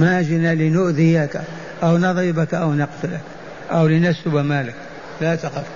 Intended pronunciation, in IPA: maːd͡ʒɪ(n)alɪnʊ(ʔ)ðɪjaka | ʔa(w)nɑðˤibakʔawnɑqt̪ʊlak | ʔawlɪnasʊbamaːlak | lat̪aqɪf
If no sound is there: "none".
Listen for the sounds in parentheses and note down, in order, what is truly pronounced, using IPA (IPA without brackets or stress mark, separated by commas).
n, ʔ, w